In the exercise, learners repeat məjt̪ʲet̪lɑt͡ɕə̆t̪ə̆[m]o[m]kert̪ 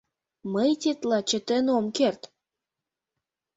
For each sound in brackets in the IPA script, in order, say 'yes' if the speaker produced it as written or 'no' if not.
no, yes

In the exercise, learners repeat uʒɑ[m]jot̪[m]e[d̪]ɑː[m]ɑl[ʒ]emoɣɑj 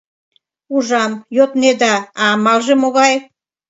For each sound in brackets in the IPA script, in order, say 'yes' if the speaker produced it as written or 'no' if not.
yes, no, yes, yes, yes

